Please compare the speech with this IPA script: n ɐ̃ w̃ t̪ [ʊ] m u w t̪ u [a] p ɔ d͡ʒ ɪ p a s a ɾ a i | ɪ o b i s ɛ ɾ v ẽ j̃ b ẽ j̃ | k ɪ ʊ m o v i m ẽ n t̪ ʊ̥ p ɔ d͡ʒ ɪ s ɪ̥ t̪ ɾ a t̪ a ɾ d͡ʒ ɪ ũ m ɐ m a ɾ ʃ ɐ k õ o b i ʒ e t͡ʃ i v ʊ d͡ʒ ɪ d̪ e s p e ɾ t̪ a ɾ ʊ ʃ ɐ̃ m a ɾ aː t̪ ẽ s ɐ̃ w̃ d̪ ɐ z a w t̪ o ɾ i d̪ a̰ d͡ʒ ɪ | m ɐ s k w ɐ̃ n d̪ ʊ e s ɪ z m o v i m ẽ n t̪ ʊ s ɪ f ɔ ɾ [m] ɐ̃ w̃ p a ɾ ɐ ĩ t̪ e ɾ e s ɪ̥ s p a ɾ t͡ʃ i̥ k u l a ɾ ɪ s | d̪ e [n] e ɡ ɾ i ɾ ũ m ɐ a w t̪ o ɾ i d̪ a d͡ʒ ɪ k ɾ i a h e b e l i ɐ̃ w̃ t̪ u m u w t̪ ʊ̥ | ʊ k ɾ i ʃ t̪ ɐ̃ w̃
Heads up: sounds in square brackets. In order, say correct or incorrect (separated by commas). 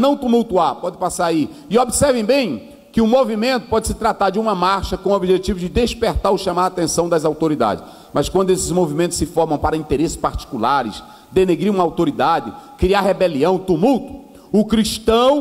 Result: incorrect, correct, correct, correct